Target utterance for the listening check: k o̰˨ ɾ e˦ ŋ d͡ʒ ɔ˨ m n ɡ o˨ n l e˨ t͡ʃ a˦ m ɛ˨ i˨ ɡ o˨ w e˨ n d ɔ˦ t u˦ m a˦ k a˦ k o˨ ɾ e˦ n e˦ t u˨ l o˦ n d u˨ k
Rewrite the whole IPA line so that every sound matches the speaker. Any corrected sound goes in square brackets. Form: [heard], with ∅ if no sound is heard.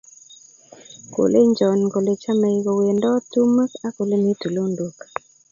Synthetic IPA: k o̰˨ [l] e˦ [ɲ] d͡ʒ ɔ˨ [∅] n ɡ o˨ [∅] l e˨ t͡ʃ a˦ m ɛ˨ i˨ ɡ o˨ w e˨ n d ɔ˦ t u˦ m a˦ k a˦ k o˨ [l] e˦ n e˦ t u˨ l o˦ n d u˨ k